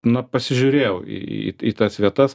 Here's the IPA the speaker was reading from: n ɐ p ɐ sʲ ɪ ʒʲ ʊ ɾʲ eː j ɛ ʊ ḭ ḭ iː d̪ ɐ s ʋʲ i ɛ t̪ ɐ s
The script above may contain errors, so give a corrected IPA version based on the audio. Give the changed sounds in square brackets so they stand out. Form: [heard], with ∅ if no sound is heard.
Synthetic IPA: n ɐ p ɐ sʲ ɪ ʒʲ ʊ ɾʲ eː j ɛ ʊ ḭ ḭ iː [t̪] ɐ s ʋʲ i ɛ t̪ ɐ s